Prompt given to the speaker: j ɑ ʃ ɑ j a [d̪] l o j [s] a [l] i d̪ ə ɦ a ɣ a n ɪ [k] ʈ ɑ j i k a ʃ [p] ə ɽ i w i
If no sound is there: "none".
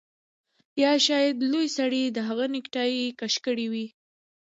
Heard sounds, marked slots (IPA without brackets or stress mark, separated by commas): d̪, s, ɽ, k, k